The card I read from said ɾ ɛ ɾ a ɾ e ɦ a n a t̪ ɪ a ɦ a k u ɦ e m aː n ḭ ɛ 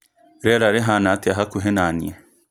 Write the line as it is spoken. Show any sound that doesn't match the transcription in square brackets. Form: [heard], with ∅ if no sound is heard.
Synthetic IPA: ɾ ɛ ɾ a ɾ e ɦ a n a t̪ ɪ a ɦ a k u ɦ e [n] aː n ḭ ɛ